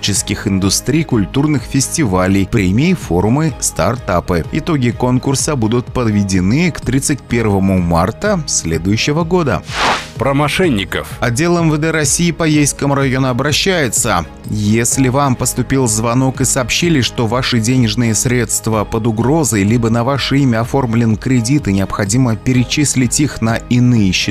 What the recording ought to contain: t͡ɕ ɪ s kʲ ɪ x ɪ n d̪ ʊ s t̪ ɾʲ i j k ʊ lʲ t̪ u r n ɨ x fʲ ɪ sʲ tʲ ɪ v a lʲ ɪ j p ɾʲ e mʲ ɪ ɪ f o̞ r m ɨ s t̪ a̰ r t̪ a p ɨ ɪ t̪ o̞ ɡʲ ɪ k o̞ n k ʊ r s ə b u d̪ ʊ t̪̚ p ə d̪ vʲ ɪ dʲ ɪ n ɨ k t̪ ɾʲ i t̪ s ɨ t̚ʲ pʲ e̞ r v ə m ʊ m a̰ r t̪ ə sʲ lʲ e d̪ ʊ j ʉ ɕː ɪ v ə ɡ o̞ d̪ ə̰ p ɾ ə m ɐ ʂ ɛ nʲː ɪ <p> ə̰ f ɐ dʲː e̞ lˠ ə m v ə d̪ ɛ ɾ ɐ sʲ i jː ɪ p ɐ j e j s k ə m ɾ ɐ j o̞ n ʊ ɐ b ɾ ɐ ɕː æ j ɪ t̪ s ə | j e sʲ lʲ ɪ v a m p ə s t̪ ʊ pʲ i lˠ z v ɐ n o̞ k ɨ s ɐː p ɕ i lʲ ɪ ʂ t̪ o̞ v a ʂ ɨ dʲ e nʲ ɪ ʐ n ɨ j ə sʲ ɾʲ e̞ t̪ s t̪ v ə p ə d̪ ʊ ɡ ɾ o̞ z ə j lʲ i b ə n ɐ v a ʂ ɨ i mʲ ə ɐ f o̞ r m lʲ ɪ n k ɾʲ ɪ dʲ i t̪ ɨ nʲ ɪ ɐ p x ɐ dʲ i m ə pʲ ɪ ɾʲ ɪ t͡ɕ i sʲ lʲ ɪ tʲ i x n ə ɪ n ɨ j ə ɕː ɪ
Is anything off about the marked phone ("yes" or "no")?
yes